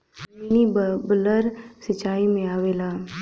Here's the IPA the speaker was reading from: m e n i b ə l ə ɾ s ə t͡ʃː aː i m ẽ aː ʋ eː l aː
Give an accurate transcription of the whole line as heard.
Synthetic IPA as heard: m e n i b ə l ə ɾ s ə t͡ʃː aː i m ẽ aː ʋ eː l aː